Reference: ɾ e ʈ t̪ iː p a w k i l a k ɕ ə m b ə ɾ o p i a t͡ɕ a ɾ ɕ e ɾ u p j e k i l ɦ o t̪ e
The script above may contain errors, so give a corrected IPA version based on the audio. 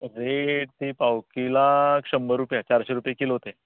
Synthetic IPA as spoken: ɾ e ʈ t̪ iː p a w k i l a k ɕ ə m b ə ɾ u p j a t͡ɕ a ɾ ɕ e ɾ u p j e k i l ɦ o t̪ e